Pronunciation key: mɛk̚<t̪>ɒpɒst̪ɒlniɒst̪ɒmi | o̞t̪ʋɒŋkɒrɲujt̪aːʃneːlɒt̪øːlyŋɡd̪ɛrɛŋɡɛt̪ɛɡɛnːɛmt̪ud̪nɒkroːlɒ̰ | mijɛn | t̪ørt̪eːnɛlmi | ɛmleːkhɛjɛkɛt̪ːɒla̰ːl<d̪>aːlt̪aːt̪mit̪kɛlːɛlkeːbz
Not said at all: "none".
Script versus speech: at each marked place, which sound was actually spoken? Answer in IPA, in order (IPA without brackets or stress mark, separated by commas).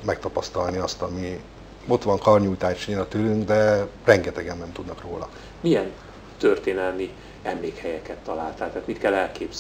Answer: t̪, t̪